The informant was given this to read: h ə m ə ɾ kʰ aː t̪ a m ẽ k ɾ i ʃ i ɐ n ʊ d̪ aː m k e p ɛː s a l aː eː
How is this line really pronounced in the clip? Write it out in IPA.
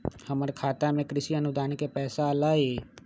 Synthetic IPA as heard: h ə m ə ɾ kʰ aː t̪ a m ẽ k ɾ ɪ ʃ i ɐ n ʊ d̪ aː n k e p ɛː s a l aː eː